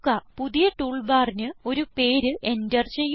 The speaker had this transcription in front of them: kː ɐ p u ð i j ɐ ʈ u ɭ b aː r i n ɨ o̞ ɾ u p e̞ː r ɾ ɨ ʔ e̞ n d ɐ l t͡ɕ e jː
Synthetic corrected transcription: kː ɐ p u ð i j ɐ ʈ uː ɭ b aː r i n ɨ o̞ ɾ u p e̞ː ɾ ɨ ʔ e̞ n d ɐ r t͡ɕ e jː

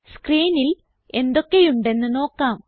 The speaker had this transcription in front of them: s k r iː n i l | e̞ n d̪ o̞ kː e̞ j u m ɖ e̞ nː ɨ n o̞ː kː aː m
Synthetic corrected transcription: s k r iː n i l | e̞ n d̪ o̞ kː e̞ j u ɳ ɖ e̞ nː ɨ n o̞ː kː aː m

